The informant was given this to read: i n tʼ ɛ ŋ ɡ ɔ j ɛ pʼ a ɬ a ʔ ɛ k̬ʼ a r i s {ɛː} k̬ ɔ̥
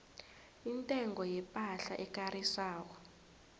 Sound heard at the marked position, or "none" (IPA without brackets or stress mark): aː